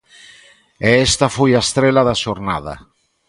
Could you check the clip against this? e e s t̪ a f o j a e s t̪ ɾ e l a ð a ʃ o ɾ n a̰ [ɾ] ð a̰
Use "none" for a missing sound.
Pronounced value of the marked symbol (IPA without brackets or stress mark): none